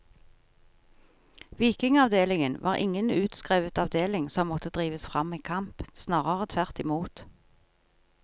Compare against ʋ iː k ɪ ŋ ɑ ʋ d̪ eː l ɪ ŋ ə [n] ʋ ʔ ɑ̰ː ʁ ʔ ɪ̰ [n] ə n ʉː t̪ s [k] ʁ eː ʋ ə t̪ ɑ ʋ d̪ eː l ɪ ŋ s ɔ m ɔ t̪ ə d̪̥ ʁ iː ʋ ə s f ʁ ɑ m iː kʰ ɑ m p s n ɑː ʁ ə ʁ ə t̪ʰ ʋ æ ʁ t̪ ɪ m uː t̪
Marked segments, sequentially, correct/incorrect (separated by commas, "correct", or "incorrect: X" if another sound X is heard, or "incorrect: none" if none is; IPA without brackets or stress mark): correct, incorrect: ŋ, correct